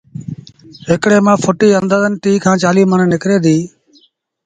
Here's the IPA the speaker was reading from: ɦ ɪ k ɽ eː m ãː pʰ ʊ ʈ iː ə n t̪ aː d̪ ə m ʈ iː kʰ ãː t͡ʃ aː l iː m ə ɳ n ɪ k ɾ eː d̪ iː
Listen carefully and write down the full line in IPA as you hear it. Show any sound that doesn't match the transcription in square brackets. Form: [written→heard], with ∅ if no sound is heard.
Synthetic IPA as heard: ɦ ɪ k ɽ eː m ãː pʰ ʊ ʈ iː ə n [t̪→d̪] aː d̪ ə [m→n] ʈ iː kʰ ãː t͡ʃ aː l iː m ə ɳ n ɪ k ɾ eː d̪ iː